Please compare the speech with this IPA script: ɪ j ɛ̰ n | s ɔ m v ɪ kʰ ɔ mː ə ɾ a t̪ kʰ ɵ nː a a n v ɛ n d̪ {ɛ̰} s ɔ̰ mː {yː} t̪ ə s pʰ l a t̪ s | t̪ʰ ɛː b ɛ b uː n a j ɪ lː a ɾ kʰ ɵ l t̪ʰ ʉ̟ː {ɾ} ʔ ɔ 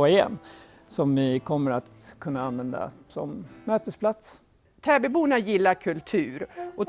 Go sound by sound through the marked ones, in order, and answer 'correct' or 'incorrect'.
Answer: incorrect: a̰, incorrect: øː, correct

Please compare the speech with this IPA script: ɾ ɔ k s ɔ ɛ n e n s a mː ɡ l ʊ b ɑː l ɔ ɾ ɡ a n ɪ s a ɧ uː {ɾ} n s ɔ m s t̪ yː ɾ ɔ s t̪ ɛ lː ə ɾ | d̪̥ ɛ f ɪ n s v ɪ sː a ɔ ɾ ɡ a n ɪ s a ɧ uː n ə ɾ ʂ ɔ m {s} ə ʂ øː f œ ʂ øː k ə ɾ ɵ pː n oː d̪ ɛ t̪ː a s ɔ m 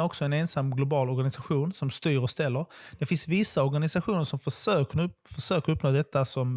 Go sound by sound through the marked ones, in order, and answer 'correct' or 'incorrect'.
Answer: incorrect: none, incorrect: f

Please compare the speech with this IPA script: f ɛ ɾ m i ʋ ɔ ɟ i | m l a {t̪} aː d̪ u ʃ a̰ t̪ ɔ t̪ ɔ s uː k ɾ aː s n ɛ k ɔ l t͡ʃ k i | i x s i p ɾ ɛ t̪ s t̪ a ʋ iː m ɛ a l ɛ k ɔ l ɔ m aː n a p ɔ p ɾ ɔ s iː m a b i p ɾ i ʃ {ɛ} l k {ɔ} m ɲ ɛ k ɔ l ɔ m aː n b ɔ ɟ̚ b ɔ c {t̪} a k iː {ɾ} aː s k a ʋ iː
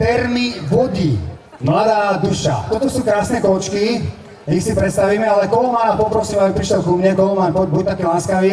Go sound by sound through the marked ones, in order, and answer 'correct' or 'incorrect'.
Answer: incorrect: d̪, correct, incorrect: u, correct, incorrect: l

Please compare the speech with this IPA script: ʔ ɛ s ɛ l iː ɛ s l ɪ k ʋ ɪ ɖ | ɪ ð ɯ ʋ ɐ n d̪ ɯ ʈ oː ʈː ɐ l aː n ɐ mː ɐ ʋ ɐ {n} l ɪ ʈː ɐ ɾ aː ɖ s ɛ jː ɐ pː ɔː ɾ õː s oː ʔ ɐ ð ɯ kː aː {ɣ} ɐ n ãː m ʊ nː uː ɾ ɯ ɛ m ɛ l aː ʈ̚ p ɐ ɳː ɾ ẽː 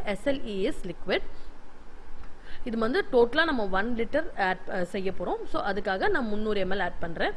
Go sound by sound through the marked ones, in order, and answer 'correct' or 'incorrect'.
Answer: correct, correct

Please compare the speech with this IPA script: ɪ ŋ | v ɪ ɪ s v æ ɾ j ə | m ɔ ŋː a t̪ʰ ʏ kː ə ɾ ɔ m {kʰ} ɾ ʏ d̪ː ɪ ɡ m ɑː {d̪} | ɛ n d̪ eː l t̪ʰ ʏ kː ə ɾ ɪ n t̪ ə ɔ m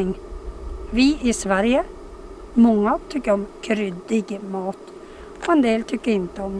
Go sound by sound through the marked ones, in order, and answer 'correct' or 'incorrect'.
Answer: correct, incorrect: t̪

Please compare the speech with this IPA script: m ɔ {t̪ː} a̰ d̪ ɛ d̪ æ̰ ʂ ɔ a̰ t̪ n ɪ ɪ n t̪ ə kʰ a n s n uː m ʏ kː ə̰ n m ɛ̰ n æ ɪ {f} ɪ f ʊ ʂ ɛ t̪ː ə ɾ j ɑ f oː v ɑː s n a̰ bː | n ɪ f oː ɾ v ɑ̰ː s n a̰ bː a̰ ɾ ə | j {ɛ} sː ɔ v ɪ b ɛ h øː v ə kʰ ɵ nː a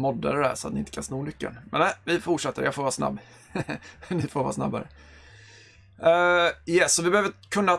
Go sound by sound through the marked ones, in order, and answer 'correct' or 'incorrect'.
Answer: incorrect: d̪ː, incorrect: v, correct

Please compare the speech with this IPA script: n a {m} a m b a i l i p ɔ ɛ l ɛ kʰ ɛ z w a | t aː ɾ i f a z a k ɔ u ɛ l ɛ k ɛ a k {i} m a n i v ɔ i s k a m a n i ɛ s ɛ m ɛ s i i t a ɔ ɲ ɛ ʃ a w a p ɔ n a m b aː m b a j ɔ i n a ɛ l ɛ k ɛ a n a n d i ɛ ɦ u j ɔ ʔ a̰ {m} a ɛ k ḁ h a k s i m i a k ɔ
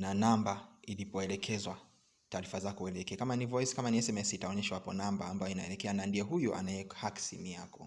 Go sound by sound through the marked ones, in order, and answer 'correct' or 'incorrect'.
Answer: incorrect: n, incorrect: a, incorrect: n

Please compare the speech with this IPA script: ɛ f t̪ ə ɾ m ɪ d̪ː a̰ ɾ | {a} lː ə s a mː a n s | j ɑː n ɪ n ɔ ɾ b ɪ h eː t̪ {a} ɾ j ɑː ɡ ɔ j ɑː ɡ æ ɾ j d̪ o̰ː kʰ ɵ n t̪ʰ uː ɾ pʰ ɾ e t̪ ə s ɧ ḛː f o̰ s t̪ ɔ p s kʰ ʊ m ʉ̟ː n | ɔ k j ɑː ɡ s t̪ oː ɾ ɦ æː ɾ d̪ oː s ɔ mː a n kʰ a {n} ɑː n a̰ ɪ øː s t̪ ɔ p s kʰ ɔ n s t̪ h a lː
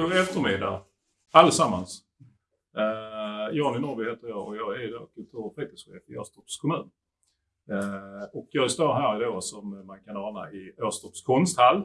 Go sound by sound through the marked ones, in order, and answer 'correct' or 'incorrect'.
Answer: correct, incorrect: ə, correct

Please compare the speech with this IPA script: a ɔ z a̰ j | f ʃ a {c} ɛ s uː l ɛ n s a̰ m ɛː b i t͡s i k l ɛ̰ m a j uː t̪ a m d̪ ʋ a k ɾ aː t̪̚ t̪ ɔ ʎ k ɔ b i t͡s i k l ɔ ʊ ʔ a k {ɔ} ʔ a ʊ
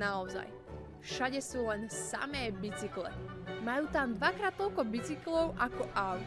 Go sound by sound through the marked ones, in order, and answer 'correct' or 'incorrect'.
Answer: incorrect: ɟ, correct

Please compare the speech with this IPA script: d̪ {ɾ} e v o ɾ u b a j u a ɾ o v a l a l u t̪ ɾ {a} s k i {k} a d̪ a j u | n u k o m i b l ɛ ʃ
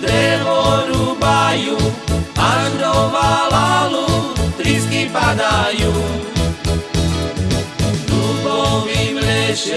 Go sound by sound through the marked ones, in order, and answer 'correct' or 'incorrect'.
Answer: correct, incorrect: i, incorrect: p

